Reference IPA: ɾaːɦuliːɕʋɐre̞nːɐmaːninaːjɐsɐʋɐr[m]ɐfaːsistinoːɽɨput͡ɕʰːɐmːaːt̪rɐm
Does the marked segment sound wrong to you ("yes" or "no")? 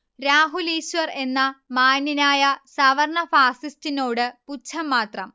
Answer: yes